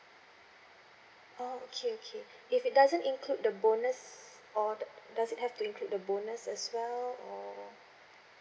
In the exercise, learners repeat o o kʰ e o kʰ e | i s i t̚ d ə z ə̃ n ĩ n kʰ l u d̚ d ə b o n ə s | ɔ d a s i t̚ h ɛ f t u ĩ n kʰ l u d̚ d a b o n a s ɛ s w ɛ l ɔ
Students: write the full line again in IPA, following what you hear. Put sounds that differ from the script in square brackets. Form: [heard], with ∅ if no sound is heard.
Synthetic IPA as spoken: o o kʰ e o kʰ e | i [f] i t̚ d [a] z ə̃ n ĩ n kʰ l u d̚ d ə b o n ə s | ɔ d a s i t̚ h ɛ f t u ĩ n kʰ l u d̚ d [ə] b o n [ə] s ɛ s w ɛ l ɔ

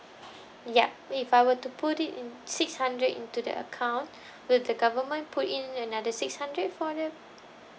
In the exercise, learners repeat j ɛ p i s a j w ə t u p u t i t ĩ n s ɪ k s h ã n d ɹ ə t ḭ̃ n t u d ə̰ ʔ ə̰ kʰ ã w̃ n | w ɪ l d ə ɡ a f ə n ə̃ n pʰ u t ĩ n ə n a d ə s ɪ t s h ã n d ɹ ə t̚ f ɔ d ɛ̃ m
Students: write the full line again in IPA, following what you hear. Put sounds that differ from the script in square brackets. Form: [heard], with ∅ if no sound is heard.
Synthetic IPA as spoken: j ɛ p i [f] a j w ə t u p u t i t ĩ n s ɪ k s h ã n d ɹ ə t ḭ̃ n t u d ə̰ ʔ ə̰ kʰ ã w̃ n | w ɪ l d ə ɡ a [v] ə [m] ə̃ n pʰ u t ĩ n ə n a d ə s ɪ [k] s h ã n d ɹ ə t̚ f ɔ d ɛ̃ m

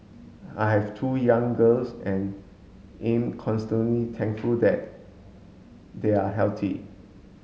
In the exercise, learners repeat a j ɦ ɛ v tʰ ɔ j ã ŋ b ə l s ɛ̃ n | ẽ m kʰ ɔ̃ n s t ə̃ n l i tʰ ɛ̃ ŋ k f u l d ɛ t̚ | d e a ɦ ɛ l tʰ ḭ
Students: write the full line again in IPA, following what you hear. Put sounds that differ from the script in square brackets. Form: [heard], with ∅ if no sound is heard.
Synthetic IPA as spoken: a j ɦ ɛ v tʰ [u] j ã ŋ [ɡ] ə l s ɛ̃ n | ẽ m kʰ ɔ̃ n s t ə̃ n l i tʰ ɛ̃ ŋ k f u l d ɛ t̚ | d e a ɦ ɛ l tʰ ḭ

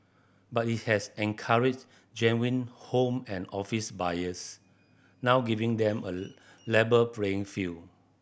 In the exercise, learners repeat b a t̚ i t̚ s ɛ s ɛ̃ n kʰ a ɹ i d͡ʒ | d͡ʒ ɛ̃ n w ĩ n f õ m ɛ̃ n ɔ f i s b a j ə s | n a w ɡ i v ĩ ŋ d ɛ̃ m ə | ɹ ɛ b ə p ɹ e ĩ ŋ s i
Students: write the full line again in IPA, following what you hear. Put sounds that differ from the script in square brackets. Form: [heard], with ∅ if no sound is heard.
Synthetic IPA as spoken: b a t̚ i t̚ [h] ɛ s ɛ̃ n kʰ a ɹ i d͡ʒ | d͡ʒ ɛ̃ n w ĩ n [h] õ m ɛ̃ n ɔ f i s b a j ə s | n a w ɡ i v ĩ ŋ d ɛ̃ m ə | [l] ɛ b ə p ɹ e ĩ ŋ [f] i

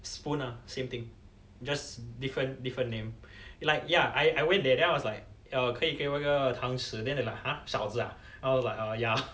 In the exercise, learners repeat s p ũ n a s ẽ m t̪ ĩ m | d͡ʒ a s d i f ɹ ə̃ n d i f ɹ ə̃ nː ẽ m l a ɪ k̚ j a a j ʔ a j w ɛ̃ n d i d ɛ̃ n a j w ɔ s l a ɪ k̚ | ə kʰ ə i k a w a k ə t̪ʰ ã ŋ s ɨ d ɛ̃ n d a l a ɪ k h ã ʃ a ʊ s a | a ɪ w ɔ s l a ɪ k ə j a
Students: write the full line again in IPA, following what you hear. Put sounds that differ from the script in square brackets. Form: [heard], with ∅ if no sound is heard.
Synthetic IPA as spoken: s p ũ n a s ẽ m t̪ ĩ [ŋ] | d͡ʒ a s d i f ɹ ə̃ n d i f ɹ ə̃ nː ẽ m l a ɪ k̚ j a a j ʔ a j w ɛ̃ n d [ɛ] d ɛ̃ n a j w ɔ s l a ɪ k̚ | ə kʰ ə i k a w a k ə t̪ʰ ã ŋ s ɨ d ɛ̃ n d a l a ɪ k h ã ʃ a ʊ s a | a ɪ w ɔ s l a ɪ k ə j a

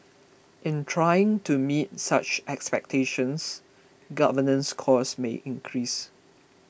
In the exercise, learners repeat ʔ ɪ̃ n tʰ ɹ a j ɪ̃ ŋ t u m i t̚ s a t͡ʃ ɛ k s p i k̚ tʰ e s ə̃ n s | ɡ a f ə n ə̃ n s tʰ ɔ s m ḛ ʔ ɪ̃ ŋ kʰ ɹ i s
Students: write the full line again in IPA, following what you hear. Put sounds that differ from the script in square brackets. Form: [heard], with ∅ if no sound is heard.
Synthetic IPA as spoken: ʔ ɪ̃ n tʰ ɹ a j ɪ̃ ŋ t u m i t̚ s a t͡ʃ ɛ k s p [ɛ] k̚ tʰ e [ʃ] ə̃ n s | ɡ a [v] ə n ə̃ n s [kʰ] ɔ s m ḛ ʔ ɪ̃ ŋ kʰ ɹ i s

